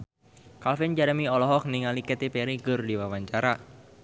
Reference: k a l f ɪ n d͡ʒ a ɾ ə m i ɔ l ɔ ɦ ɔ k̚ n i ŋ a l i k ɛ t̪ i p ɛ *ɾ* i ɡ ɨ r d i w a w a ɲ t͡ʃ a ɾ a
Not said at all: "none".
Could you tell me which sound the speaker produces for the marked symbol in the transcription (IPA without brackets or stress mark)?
ɾ